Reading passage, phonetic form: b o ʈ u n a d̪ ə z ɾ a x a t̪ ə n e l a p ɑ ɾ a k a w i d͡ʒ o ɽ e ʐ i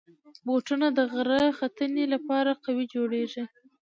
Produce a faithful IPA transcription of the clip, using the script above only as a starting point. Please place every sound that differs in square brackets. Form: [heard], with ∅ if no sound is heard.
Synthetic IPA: b o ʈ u n a d̪ ə [ɣ] ɾ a x a t̪ ə n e l a p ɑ ɾ a [q] a w i d͡ʒ o ɽ e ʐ i